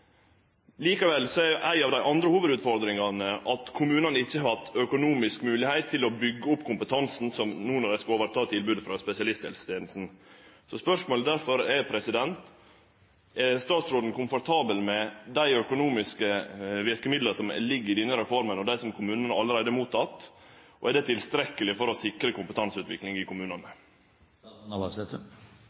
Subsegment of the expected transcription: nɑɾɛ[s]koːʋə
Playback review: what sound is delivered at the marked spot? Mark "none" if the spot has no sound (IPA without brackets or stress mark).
s